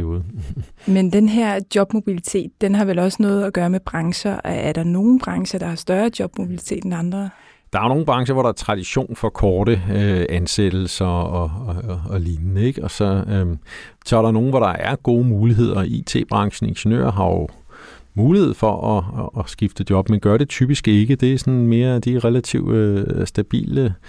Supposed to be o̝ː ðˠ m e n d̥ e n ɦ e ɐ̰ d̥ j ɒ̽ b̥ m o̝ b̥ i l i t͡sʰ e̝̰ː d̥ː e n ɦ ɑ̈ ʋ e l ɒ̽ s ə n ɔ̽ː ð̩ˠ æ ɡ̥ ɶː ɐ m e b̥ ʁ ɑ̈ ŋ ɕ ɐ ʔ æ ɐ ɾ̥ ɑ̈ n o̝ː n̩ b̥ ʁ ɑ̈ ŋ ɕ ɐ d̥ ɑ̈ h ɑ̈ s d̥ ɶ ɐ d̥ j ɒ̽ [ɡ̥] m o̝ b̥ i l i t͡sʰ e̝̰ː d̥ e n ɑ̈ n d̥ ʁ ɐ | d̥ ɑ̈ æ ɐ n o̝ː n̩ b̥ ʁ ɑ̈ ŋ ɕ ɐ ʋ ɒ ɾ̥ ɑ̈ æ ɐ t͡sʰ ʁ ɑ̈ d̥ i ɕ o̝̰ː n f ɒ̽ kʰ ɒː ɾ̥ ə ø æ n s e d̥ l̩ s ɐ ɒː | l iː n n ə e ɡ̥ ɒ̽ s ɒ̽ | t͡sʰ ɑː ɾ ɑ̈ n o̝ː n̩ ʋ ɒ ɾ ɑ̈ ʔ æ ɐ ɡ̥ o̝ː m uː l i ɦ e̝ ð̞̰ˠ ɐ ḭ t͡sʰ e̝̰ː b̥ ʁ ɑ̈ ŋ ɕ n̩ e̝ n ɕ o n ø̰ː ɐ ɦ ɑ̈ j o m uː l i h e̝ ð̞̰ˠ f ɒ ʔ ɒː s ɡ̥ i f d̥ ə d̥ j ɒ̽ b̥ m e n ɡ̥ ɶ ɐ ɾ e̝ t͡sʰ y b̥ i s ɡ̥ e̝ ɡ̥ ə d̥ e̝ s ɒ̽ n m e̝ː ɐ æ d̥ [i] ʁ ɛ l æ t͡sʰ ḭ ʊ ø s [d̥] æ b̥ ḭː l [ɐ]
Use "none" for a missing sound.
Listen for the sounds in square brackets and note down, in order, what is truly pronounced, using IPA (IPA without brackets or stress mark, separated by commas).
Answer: b̥, i, d̥, ə